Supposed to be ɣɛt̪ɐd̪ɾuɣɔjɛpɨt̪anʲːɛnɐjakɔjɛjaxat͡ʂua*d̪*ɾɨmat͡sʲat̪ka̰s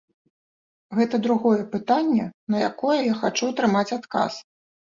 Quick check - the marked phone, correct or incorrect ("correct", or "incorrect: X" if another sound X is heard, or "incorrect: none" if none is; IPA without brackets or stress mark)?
incorrect: t̪